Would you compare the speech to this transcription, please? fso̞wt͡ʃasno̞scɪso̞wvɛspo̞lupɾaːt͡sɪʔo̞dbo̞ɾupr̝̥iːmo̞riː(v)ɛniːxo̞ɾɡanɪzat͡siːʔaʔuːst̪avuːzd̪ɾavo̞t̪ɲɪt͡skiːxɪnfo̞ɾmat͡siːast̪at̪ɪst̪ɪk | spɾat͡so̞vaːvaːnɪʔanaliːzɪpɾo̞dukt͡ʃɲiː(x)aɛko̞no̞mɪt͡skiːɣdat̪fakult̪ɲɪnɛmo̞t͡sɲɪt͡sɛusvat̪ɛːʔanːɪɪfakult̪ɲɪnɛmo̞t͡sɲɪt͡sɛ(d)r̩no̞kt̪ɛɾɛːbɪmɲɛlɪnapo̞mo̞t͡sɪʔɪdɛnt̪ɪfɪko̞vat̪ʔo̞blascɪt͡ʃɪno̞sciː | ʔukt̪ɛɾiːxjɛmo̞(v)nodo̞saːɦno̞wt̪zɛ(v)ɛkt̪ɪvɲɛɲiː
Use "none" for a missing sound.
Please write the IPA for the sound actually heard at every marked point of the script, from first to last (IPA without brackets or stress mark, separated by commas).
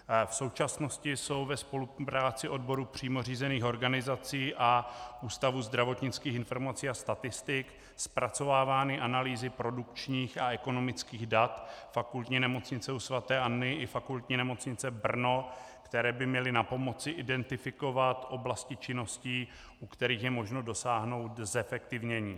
z, x, b, ʒ, f